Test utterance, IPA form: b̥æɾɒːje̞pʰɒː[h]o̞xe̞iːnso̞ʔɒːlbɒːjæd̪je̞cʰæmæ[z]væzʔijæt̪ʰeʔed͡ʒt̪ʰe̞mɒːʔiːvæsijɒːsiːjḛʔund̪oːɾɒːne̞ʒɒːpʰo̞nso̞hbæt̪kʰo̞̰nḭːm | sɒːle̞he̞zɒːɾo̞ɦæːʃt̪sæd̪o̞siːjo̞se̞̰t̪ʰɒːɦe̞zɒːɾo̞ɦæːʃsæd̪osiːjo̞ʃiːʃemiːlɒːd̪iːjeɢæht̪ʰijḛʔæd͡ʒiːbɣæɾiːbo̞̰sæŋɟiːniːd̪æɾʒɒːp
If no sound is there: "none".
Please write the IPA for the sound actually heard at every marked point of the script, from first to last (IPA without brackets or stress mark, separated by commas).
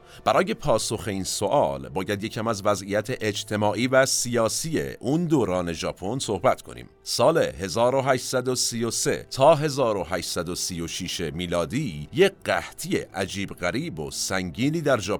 s, z